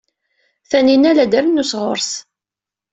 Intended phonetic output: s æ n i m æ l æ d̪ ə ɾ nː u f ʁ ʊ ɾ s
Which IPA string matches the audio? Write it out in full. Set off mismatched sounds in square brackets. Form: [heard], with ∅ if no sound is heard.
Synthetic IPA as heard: [θ] æ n i [n] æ l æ d̪ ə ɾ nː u [s] ʁ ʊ ɾ s